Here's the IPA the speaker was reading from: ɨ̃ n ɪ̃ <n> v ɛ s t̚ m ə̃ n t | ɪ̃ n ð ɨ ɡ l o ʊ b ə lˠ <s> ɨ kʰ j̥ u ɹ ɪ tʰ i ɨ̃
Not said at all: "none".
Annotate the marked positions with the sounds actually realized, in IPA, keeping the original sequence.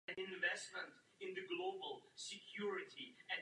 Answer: n, s

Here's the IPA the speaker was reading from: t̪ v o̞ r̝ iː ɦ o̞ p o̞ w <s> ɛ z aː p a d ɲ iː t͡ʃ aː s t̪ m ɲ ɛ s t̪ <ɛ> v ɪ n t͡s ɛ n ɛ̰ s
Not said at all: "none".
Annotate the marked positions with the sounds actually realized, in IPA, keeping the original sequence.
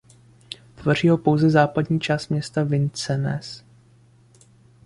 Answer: z, a

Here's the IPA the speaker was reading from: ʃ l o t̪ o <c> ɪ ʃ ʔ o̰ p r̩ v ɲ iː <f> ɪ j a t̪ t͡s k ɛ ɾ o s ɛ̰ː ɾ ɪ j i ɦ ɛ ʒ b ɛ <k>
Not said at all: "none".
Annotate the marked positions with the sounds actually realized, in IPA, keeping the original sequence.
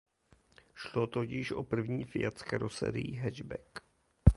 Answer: c, f, k

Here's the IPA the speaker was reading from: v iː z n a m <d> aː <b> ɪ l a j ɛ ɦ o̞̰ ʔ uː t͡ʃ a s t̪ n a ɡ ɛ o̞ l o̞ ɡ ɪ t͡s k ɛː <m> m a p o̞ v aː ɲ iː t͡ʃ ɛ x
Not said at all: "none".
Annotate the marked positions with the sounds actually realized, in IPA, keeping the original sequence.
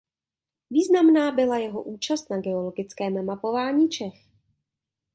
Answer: n, b, m

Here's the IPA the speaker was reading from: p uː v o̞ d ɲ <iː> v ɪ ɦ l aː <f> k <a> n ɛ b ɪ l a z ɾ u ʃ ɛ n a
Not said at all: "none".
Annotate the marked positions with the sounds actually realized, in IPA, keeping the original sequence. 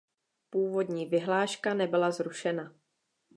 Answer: iː, ʃ, a

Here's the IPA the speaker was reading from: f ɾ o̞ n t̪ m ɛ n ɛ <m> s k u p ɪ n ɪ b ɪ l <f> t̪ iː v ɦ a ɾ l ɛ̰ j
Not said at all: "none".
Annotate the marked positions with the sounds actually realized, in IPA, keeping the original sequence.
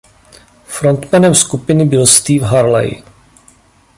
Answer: m, s

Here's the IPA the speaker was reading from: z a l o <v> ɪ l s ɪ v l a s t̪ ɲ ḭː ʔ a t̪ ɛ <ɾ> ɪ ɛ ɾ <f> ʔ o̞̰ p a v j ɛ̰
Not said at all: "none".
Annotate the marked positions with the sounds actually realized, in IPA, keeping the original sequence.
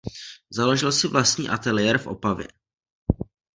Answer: ʒ, l, f

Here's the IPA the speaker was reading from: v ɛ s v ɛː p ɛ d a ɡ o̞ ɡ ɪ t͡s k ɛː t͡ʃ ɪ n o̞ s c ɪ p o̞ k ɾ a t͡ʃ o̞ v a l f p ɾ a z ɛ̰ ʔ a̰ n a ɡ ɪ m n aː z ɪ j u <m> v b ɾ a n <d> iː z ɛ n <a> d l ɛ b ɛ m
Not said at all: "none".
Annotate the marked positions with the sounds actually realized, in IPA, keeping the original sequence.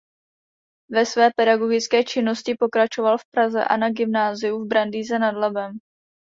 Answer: none, d, a

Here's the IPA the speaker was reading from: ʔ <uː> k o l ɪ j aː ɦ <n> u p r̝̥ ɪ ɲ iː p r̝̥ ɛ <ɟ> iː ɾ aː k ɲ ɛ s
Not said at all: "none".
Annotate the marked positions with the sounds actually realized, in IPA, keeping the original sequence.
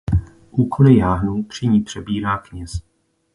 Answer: uː, n, b

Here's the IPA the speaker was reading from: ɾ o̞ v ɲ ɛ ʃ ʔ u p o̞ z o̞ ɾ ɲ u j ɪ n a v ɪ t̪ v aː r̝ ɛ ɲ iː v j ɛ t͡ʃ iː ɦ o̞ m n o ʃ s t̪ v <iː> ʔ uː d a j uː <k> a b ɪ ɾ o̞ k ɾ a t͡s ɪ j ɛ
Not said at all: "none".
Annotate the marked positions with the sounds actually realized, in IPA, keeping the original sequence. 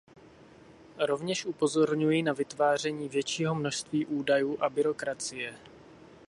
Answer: iː, ʔ

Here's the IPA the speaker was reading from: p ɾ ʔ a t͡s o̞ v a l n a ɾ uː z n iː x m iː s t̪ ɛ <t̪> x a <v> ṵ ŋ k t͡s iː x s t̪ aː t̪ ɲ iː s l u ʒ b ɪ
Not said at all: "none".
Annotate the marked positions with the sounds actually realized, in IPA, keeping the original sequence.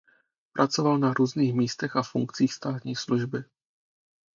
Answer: none, f

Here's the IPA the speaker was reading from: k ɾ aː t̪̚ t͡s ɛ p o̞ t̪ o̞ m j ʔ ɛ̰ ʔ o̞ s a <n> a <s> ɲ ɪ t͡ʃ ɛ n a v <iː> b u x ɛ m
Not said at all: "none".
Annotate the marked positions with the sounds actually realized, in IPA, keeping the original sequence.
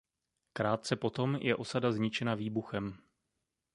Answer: d, z, iː

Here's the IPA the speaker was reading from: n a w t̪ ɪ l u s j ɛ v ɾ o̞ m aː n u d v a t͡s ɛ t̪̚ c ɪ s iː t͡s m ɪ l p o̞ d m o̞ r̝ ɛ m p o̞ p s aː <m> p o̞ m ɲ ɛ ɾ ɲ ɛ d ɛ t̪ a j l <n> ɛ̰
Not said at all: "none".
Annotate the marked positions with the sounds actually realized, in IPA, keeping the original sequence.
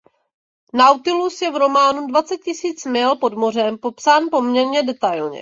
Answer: n, ɲ

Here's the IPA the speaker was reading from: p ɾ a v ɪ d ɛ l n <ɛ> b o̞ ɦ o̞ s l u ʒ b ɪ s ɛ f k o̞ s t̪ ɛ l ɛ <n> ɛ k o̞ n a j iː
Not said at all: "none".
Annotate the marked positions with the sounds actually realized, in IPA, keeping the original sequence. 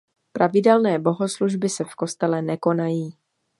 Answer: ɛː, n

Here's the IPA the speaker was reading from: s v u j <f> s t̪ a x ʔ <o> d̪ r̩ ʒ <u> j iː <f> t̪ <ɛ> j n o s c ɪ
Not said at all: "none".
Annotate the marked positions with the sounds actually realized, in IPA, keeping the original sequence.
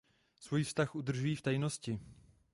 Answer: f, u, u, f, a

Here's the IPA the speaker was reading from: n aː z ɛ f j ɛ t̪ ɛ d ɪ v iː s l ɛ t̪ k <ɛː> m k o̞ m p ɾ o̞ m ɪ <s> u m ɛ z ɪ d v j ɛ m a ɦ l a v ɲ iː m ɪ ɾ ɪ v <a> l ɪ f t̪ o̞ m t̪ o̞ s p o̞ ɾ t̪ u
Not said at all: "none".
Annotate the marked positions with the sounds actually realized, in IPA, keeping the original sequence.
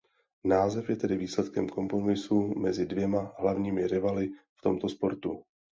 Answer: ɛ, s, a

